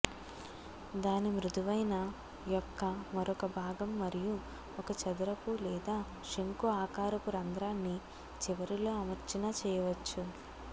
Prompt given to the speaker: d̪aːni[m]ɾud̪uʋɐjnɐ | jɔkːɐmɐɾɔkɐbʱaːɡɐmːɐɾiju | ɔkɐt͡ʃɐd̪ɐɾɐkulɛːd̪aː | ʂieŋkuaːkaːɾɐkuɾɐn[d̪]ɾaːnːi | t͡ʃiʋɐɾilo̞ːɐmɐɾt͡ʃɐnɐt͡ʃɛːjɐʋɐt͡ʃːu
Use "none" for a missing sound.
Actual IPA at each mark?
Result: m, d̪

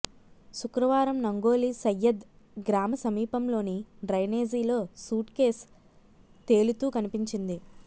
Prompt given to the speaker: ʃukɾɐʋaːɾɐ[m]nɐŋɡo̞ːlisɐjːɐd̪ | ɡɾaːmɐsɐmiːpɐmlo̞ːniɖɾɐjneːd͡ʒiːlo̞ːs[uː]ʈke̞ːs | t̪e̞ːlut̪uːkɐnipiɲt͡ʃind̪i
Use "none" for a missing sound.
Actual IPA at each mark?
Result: m, uː

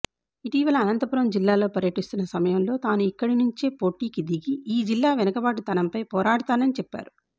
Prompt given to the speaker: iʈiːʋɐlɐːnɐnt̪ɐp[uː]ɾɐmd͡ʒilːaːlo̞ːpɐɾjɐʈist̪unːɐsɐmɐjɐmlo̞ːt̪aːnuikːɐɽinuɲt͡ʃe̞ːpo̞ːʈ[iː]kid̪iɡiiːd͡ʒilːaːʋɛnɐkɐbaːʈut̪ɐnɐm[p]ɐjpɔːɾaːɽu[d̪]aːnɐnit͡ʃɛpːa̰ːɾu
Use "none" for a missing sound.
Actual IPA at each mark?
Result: u, iː, p, t̪

